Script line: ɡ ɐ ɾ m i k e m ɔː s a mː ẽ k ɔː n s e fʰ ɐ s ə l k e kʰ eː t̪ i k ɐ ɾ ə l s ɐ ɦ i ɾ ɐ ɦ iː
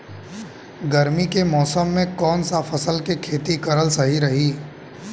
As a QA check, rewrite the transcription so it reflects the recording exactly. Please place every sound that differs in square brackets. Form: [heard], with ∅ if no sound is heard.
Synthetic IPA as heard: ɡ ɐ ɾ m i k e m ɔː s [ə] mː ẽ k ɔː n s [a] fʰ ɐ s ə l k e kʰ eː t̪ i k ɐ ɾ ə l s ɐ ɦ i ɾ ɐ ɦ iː